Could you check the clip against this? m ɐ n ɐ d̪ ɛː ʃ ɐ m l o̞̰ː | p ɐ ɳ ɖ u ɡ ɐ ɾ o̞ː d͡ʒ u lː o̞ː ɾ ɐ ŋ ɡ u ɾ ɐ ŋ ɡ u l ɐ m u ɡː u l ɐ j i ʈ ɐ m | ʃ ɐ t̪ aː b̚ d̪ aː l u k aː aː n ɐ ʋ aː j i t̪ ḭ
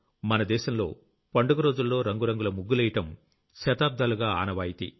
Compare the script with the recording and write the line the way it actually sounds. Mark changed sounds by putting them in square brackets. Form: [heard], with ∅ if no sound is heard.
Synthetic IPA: m ɐ n ɐ d̪ ɛː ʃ ɐ m l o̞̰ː | p ɐ ɳ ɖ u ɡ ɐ ɾ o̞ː d͡ʒ u lː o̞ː ɾ ɐ ŋ ɡ u ɾ ɐ ŋ ɡ u l ɐ m u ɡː u l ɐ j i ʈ ɐ m | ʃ ɐ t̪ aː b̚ d̪ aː l u [ɡ] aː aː n ɐ ʋ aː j i t̪ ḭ